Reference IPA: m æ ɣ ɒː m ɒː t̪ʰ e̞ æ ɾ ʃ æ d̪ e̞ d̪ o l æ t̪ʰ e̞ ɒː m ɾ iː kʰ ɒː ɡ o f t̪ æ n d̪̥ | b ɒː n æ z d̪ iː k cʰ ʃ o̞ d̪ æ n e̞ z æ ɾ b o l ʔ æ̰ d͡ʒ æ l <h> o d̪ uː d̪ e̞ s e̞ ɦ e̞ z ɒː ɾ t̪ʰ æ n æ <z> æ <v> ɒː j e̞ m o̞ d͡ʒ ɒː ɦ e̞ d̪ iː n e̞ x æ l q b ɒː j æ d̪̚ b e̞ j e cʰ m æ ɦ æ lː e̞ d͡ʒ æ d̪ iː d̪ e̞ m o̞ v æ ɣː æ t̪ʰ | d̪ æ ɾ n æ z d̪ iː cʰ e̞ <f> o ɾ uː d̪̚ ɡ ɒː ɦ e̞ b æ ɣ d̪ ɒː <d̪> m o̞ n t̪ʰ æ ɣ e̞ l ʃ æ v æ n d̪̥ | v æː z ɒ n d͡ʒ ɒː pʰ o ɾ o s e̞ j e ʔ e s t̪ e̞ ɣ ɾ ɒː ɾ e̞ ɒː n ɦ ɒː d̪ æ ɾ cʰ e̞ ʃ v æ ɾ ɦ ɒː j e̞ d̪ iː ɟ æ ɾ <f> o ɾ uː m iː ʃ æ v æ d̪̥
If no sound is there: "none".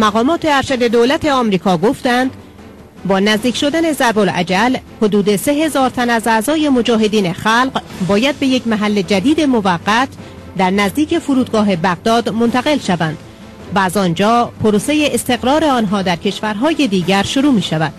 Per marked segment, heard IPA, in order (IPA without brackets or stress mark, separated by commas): h, z, z, f, d̪, ʃ